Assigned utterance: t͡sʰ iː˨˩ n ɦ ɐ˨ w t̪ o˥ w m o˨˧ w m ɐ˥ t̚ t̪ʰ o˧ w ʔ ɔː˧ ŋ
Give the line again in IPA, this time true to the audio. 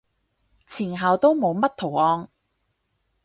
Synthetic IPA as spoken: t͡sʰ iː˨˩ n ɦ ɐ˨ w t̪ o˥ w m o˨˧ w m ɐ˥ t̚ t̪ʰ o˨˩ w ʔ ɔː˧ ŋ

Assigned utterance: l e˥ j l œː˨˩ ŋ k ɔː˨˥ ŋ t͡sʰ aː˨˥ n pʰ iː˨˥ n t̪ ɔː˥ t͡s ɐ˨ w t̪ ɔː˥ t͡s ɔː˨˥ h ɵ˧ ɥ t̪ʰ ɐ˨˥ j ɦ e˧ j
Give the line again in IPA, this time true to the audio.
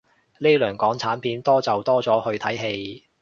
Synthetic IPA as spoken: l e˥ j l œː˨˩ ŋ k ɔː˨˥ ŋ t͡sʰ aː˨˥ n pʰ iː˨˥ n t̪ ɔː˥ t͡s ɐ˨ w t̪ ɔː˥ t͡s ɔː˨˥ h ɵ˧ ɥ t̪ʰ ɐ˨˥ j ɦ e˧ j

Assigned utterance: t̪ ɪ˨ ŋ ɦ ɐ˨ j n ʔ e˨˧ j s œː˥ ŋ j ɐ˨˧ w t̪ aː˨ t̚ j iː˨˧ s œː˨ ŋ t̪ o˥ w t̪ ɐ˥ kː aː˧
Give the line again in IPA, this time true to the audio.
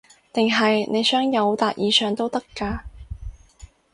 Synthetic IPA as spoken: t̪ ɪ˨ ŋ ɦ ɐ˨ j n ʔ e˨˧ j s œː˥ ŋ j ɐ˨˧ w t̪ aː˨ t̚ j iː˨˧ s œː˨ ŋ t̪ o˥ w t̪ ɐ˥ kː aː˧

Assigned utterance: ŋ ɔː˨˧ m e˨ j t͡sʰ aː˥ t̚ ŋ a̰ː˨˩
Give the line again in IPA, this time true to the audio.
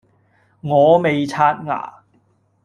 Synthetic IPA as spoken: ŋ ɔː˨˧ m e˨ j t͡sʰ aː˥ t̚ ŋ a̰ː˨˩

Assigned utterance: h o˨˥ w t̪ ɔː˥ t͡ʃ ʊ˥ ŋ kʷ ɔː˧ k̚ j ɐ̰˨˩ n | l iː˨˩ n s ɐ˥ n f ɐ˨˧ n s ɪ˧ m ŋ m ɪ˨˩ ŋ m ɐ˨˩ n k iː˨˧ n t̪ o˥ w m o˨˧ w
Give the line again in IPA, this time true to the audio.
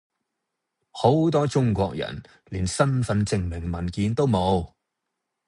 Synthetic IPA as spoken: h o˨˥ w t̪ ɔː˥ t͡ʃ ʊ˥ ŋ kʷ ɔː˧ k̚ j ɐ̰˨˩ n | l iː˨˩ n s ɐ˥ n f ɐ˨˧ n t͡s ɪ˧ ŋ m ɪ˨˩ ŋ m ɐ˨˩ n k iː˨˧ n t̪ o˥ w m o˨˧ w

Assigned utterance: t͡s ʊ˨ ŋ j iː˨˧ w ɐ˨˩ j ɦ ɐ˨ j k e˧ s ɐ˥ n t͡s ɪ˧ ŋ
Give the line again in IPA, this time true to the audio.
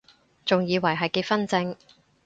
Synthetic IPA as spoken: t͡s ʊ˨ ŋ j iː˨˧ w ɐ˨˩ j ɦ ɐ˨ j k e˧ f ɐ˥ n t͡s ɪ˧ ŋ

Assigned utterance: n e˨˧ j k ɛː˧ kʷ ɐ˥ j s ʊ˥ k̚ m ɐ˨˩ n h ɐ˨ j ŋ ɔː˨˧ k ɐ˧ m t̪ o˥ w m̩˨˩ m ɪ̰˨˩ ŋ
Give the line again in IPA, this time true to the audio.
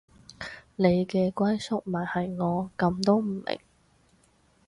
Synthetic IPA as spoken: n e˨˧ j k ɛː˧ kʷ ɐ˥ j s ʊ˥ k̚ m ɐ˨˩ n h ɐ˨ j ŋ ɔː˨˧ k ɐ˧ m t̪ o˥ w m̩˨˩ m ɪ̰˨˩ ŋ

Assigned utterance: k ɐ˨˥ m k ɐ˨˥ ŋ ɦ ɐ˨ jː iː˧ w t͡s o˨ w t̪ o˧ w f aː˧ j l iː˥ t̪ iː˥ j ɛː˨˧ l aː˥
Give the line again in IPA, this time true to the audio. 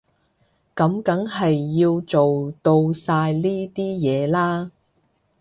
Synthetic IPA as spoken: k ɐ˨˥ m k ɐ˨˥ ŋ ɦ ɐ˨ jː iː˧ w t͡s o˨ w t̪ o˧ w s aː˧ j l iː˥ t̪ iː˥ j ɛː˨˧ l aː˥

